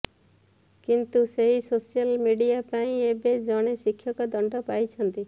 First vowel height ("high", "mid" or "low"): high